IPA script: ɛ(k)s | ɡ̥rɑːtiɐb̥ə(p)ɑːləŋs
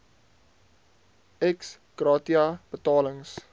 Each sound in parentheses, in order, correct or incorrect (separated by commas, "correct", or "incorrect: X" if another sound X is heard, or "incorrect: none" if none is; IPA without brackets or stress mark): correct, incorrect: t